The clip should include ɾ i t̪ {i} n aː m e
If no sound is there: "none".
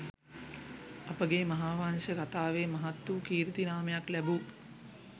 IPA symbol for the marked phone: i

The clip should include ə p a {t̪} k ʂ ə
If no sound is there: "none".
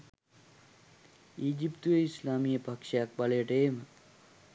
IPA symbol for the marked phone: none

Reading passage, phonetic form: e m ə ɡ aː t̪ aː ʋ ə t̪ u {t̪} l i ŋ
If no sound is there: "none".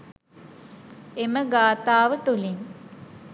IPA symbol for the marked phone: none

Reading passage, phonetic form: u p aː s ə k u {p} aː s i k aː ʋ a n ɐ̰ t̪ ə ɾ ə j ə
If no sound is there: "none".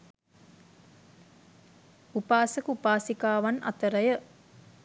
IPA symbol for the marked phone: p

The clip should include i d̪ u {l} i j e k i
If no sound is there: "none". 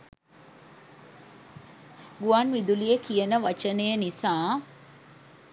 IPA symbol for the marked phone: l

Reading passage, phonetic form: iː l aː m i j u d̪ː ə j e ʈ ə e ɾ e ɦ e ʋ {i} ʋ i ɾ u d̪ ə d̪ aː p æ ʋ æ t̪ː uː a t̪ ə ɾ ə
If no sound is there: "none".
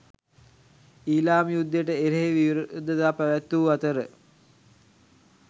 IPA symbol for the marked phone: i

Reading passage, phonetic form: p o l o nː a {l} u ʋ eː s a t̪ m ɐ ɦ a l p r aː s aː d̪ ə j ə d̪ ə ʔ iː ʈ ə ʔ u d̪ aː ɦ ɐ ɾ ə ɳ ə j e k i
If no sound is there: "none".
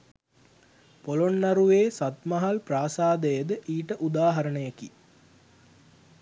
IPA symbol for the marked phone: ɾ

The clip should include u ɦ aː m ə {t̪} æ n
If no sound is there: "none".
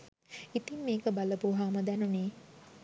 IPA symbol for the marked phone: d̪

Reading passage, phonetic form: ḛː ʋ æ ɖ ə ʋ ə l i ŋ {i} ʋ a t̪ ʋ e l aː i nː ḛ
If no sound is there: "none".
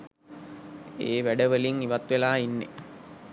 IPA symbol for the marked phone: i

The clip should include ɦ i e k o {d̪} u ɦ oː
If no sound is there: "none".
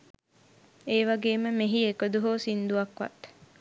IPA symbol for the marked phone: d̪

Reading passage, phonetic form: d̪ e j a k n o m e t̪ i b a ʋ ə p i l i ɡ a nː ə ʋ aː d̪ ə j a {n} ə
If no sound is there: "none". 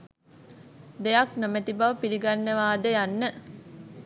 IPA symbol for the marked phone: nː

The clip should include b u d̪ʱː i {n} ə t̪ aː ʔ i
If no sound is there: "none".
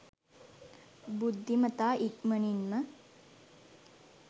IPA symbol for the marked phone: m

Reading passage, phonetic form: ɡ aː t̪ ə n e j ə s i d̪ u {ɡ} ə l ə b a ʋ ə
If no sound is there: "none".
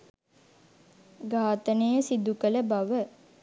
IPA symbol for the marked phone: k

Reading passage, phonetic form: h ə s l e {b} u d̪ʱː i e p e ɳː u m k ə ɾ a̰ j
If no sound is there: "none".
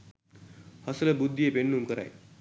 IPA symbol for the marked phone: b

